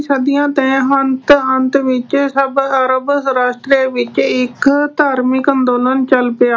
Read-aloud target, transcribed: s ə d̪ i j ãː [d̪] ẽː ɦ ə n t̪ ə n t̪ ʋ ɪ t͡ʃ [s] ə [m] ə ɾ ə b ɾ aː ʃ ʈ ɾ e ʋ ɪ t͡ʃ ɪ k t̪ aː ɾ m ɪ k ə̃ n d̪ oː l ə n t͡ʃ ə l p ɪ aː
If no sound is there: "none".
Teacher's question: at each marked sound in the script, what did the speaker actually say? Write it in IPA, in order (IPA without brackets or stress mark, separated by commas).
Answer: t̪, s, b